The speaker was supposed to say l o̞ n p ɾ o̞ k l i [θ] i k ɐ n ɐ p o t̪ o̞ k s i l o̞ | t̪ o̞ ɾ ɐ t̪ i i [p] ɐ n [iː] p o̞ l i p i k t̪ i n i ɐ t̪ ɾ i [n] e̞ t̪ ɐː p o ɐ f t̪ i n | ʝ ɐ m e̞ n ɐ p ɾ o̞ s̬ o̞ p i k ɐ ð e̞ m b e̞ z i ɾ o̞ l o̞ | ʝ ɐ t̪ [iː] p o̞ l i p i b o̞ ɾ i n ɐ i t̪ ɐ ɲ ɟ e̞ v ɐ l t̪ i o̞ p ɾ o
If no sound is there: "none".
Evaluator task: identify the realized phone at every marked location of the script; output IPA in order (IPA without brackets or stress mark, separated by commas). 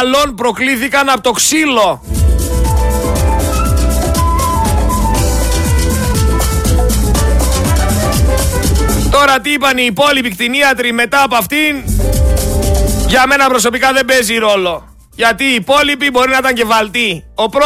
θ, p, iː, m, iː